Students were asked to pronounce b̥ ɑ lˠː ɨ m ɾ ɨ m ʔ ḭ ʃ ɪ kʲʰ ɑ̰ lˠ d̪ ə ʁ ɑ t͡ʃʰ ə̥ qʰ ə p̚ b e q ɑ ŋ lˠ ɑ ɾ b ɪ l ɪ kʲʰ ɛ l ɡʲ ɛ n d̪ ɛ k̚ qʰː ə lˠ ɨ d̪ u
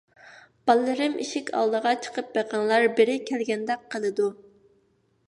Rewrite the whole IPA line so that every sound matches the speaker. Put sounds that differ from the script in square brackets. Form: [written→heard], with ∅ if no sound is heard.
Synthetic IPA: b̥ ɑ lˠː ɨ [m→∅] ɾ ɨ m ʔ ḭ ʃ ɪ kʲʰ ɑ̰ lˠ d̪ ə ʁ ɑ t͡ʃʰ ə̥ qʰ ə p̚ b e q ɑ ŋ lˠ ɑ ɾ b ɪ [l→ɾ] ɪ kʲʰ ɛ l ɡʲ ɛ n d̪ ɛ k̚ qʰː ə lˠ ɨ d̪ u